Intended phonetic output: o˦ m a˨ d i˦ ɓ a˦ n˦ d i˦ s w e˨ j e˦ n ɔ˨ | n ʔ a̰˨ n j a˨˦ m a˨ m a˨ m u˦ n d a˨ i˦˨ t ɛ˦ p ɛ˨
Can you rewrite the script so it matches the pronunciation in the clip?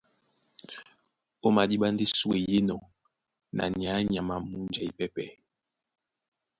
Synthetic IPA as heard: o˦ m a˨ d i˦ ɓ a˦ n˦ d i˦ s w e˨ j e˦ n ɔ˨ | n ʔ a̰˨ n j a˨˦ ɲ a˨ m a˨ m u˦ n d͡ʒ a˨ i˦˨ p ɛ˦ p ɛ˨